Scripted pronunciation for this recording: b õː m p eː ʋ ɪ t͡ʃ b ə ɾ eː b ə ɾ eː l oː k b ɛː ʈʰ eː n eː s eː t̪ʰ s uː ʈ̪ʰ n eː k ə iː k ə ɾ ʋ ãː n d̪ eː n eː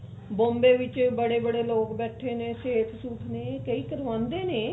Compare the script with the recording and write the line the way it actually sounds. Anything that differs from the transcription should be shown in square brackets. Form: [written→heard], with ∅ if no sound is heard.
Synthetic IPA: b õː m [p→b] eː ʋ ɪ t͡ʃ b ə [ɾ→ɽ] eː b ə [ɾ→ɽ] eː l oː k b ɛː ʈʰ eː n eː s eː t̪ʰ s uː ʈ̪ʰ n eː k ə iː k ə ɾ ʋ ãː n d̪ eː n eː